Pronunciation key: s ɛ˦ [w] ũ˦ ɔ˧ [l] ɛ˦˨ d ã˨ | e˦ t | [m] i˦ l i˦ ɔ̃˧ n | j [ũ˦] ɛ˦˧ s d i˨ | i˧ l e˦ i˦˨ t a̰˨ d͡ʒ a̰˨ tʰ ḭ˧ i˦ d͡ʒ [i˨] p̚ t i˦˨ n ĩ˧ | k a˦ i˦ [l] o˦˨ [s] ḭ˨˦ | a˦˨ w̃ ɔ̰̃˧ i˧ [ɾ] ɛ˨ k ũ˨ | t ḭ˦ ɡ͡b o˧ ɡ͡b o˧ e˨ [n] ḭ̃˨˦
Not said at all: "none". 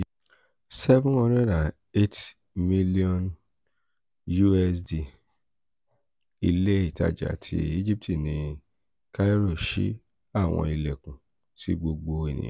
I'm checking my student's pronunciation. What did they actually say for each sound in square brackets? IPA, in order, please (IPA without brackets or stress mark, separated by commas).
v, ɾ, m, u˦, i˦, ɾ, ʃ, l, n